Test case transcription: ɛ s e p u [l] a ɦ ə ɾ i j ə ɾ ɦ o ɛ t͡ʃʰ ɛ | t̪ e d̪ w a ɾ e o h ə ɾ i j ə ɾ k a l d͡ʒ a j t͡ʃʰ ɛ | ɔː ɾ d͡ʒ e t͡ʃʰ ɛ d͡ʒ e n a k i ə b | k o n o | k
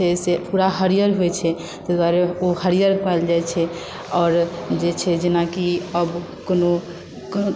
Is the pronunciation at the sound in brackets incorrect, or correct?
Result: incorrect: ɾ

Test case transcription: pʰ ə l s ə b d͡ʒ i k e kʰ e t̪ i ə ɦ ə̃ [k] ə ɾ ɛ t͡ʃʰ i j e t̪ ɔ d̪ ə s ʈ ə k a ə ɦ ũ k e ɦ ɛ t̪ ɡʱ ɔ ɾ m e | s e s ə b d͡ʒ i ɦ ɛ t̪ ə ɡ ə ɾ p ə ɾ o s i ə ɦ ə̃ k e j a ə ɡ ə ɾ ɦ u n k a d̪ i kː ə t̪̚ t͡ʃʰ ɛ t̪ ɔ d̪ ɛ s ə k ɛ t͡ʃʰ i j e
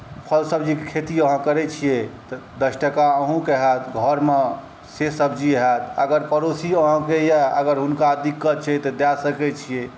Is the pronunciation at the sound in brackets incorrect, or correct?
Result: correct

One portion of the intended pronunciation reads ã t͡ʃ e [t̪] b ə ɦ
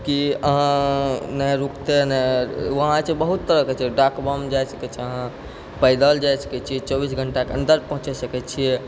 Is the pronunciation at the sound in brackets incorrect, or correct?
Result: incorrect: none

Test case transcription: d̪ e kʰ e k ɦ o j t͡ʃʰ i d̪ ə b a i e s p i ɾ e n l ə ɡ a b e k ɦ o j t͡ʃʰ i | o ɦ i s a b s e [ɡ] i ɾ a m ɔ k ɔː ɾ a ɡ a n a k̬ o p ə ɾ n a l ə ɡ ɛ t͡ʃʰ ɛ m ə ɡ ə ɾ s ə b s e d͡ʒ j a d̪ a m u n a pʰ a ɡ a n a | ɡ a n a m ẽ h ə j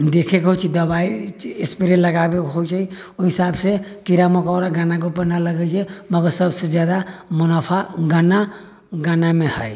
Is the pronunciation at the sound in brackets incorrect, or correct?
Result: incorrect: k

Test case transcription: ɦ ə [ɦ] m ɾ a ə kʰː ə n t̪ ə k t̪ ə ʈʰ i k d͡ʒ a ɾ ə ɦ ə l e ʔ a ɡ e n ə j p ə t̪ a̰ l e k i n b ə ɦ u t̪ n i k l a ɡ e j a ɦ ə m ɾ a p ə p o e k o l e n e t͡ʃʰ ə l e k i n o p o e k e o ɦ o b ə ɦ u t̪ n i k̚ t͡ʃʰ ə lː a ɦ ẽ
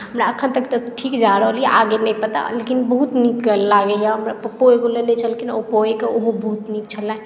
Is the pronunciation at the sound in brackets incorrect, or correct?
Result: incorrect: none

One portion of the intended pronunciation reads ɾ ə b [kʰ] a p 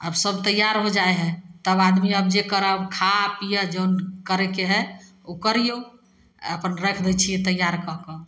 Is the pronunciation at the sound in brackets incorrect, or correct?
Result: correct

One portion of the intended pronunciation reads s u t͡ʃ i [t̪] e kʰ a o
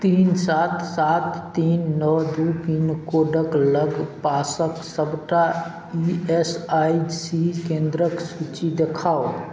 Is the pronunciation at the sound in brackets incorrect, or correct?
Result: incorrect: d̪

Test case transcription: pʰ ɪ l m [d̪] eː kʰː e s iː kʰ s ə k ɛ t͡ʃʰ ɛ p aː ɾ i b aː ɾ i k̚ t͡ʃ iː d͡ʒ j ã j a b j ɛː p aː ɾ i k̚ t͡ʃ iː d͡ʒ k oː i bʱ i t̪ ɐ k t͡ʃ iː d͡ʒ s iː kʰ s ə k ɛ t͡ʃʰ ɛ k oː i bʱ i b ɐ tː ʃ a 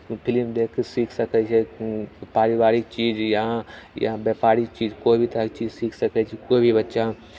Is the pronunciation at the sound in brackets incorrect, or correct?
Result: correct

